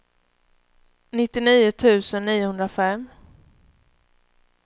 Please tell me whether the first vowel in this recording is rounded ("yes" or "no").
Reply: no